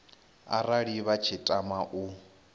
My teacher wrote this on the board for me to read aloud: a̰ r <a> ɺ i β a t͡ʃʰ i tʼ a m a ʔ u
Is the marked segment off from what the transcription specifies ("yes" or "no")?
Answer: no